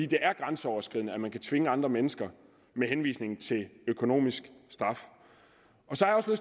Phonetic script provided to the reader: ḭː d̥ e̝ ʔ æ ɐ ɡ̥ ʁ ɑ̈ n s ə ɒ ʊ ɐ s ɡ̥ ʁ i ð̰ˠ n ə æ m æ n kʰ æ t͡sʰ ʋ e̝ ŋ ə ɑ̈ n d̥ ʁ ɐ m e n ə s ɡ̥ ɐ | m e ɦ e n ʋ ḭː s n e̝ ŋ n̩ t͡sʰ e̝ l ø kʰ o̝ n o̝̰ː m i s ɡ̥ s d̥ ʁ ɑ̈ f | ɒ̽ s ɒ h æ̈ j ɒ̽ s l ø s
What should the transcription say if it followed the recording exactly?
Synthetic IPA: ḭː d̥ e̝ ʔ æ ɐ ɡ̥ ʁ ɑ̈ n s ə ɒ ʊ ɐ s ɡ̥ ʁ i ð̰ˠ n ə æ m æ n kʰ æ t͡sʰ ʋ e̝ ŋ ə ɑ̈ n d̥ ʁ ɐ m e n ə s ɡ̥ ɐ | m e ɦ e n ʋ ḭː s n e̝ ŋ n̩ t͡sʰ e̝ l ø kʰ o̝ n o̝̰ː m i s ɡ̥ s d̥ ʁ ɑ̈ f | ɒ̽ s ɒ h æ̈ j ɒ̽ s l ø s

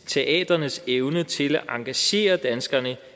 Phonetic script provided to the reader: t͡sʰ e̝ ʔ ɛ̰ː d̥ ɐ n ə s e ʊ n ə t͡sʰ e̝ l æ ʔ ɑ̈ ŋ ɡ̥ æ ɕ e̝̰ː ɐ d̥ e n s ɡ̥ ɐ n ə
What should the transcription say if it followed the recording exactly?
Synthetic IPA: t͡sʰ e̝ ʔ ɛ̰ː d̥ ɐ n ə s e ʊ n ə t͡sʰ e̝ l æ ʔ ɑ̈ ŋ ɡ̥ æ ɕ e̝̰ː ɐ d̥ æ n s ɡ̥ ɐ n ə

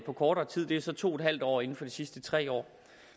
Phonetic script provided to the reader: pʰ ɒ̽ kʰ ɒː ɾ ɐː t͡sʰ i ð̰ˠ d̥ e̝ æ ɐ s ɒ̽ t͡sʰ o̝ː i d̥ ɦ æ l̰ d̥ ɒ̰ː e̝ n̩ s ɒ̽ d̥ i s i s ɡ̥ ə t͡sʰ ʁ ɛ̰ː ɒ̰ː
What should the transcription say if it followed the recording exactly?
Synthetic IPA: pʰ ɒ̽ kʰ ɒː ɾ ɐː t͡sʰ i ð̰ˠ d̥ e̝ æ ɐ s ɒ̽ t͡sʰ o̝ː e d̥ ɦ æ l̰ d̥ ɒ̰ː e̝ n̩ f ɒ̽ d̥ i s i s d̥ ə t͡sʰ ʁ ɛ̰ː ɒ̰ː

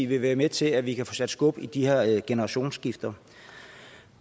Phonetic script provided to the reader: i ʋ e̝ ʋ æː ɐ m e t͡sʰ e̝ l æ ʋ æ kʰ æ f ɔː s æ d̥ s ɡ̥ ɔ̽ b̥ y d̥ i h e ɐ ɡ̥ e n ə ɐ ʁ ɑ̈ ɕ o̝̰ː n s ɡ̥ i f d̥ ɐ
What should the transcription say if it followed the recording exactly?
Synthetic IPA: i ʋ e̝ ʋ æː ɐ m e t͡sʰ e̝ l æ ʋ i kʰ æ f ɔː s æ d̥ s ɡ̥ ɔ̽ b̥ i d̥ i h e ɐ ɡ̥ e n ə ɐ ʁ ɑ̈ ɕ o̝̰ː n s ɡ̥ i f d̥ ɐ

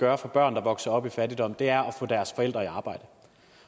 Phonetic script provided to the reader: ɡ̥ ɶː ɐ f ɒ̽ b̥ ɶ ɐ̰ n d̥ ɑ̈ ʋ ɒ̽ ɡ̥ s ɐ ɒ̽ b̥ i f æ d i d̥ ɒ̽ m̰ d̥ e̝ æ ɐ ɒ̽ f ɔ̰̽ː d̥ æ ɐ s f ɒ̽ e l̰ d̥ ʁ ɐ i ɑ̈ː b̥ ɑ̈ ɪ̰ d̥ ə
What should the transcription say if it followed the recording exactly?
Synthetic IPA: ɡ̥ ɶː ɐ f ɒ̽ b̥ ɶ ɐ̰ n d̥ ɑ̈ ʋ ɒ̽ ɡ̥ s ɐ ɒ̽ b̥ i f æ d i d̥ ɒ̽ m̰ d̥ e̝ æ ɐ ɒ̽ f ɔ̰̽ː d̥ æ ɐ s f ɒ̽ e l̰ d̥ ʁ ɐ i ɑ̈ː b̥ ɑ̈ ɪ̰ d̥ ə

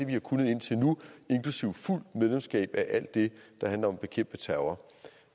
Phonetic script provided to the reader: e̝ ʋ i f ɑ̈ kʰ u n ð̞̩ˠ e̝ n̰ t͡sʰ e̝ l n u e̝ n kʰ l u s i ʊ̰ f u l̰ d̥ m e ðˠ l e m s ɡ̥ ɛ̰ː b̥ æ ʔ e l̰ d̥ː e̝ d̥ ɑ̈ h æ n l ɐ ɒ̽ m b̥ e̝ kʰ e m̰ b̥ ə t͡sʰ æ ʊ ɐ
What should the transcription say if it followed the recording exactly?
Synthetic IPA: e̝ ʋ i h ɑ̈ kʰ u n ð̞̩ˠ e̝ n̰ t͡sʰ e̝ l n u e̝ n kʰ l u s i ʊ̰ f u l̰ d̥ m e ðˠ l e m s ɡ̥ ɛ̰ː b̥ æ ʔ æ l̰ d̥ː e̝ d̥ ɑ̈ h æ n l ɐ ɒ̽ m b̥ e̝ kʰ e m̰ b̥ ə t͡sʰ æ ʊ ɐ

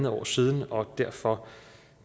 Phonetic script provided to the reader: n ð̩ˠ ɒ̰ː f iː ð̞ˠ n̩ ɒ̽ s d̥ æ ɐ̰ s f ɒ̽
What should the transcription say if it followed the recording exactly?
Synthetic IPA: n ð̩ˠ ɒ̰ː s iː ð̞ˠ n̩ ɒ̽ d̥ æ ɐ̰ f ɒ̽

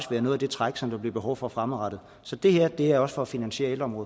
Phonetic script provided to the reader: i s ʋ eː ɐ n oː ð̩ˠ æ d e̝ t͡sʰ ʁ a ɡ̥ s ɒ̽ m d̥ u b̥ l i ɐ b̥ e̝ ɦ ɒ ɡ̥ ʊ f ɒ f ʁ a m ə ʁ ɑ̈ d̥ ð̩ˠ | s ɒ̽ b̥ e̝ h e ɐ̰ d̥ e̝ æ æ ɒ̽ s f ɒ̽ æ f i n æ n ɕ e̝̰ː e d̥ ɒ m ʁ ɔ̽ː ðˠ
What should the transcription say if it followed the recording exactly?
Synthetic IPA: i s ʋ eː ɐ n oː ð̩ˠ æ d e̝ t͡sʰ ʁ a ɡ̥ s ɒ̽ m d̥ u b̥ l i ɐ b̥ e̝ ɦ ɒ ʊ f ɒ f ʁ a m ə ʁ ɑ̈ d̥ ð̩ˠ | s ɒ̽ d̥ e̝ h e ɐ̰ d̥ e̝ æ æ ɒ̽ s f ɒ̽ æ f i n æ n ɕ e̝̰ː e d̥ ɒ m ʁ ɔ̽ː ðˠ

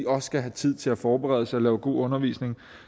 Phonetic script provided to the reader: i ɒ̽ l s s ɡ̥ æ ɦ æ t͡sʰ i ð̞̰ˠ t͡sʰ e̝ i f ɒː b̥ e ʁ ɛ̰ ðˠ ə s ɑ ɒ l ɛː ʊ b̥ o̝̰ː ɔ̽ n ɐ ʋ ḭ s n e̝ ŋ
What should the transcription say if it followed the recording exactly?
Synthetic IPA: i ɒ̽ s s ɡ̥ æ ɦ æ t͡sʰ i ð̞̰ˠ t͡sʰ e̝ æ f ɒː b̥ e ʁ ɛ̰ ðˠ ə s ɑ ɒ l ɛː ʊ ɡ̥ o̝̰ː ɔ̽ n ɐ ʋ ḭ s n e̝ ŋ

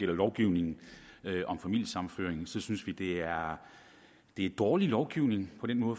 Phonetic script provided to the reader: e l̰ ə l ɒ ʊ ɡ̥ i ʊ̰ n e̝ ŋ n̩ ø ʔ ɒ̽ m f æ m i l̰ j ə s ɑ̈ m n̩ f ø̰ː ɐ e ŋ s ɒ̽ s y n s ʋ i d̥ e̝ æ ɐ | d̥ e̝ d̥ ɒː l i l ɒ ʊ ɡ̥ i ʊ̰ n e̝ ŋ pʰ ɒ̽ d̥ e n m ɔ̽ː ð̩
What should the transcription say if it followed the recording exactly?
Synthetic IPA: e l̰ ɐ l ɒ ʊ ɡ̥ i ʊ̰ n e̝ ŋ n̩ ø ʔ ɒ̽ m f æ m i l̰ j ə s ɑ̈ m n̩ f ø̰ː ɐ e ŋ s ɒ̽ s y n s ʋ i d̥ e̝ æ ɐ | d̥ e̝ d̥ ɒː l i l ɒ ʊ ɡ̥ i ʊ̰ n e̝ ŋ pʰ ɒ̽ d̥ e n m ɔ̽ː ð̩

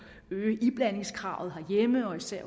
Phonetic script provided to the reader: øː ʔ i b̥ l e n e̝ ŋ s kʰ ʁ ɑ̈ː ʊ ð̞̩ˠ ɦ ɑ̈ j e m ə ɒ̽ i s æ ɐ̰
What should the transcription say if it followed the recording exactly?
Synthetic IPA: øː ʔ i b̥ l æ n e̝ ŋ s kʰ ʁ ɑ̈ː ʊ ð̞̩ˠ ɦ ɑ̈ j e m ə ɒ̽ i s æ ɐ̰

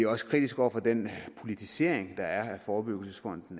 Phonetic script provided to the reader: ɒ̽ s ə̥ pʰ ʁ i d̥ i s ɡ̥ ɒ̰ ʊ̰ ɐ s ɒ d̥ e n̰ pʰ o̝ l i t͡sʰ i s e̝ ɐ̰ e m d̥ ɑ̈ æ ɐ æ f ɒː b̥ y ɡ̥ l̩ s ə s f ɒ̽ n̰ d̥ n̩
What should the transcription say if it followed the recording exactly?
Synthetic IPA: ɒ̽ s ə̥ kʰ ʁ i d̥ i s ɡ̥ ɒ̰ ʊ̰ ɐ f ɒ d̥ e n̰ pʰ o̝ l i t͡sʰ i s e̝ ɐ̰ e ŋ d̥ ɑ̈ æ ɐ æ f ɒː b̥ y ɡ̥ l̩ s ə s f ɒ̽ n̰ d̥ n̩

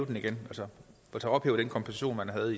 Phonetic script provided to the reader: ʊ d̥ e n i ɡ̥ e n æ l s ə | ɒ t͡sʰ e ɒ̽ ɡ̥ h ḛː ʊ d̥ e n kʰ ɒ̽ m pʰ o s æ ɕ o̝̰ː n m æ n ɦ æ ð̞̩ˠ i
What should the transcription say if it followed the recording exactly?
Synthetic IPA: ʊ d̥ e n i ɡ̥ e n æ l s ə | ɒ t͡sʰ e ɒ̽ b̥ h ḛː ʊ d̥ e n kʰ ɒ̽ m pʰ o s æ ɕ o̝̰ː n m æ n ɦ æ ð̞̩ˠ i

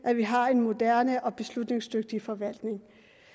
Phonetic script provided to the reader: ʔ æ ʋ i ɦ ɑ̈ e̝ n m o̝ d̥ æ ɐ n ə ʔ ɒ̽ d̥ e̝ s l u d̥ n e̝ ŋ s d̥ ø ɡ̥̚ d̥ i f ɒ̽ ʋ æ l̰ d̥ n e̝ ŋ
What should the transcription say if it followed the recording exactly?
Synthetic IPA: ʔ æ ʋ i ɦ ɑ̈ e̝ n m o̝ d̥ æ ɐ n ə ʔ ɒ̽ b̥ e̝ s l u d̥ n e̝ ŋ s d̥ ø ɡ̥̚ d̥ i f ɒ̽ ʋ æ l̰ d̥ n e̝ ŋ

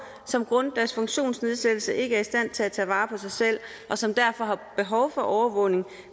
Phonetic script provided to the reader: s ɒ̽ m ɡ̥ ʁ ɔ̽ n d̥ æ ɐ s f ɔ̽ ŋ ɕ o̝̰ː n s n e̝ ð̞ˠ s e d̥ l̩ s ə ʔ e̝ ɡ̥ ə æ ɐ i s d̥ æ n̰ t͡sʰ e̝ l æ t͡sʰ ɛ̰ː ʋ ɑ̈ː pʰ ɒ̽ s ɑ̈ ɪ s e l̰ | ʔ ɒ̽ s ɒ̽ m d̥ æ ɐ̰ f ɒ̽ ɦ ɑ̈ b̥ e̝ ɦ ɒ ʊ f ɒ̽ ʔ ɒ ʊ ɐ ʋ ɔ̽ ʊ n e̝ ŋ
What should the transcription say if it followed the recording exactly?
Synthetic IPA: s ɒ̽ m ɡ̥ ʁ ɔ̽ n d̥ æ ɐ s f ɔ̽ ŋ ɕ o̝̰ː n s n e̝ ð̞ˠ s e d̥ l̩ s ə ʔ e̝ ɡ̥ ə æ ɐ i s d̥ æ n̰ t͡sʰ e̝ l æ t͡sʰ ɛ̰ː ʋ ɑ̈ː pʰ ɒ̽ s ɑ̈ ɪ s e l̰ | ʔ ɒ̽ s ɒ̽ m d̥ æ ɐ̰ f ɒ̽ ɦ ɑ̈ b̥ e̝ ɦ ɒ ʊ f ɒ̽ ʔ ɒ ʊ ɐ ʋ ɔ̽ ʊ n e̝ ŋ

